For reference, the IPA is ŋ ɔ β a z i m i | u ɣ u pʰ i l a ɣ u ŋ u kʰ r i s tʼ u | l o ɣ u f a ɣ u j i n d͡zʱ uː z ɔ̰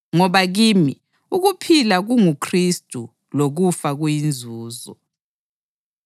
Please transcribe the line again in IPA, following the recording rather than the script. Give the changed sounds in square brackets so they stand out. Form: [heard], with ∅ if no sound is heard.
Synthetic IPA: ŋ ɔ β a [ɣ] i m i | u ɣ u pʰ i l a ɣ u ŋ u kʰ r i s tʼ u | l o ɣ u f a ɣ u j i n d͡zʱ uː z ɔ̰